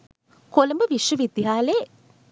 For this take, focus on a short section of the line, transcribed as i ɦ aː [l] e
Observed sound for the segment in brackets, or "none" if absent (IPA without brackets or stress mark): l